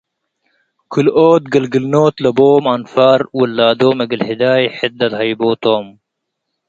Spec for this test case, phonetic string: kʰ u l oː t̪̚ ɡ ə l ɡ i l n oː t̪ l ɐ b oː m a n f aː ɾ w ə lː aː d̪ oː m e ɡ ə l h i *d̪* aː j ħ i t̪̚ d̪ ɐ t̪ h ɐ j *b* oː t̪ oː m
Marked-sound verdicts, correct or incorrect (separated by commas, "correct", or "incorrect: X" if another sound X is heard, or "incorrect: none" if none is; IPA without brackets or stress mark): correct, correct